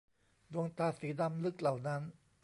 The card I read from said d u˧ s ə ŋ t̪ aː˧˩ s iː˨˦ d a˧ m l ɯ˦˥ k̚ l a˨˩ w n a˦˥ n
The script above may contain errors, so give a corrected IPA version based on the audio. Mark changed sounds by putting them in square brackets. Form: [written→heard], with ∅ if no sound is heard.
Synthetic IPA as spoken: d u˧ [s→∅] ə ŋ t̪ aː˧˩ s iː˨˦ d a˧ m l ɯ˦˥ k̚ l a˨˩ w n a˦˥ n